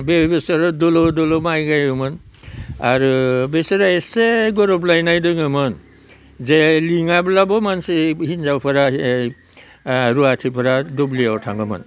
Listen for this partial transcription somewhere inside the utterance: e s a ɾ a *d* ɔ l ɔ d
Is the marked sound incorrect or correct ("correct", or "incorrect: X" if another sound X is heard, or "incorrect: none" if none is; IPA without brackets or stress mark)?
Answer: correct